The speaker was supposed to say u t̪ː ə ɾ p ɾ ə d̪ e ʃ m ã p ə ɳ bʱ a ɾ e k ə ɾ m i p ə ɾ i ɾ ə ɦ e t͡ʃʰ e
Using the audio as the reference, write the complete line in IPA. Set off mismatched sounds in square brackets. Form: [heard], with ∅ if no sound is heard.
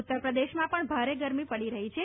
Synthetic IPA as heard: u t̪ː ə ɾ p ɾ ə d̪ e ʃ m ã p ə ɳ bʱ a ɾ e [ɡ] ə ɾ m i p ə [ɽ] i ɾ ə ɦ [i] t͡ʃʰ e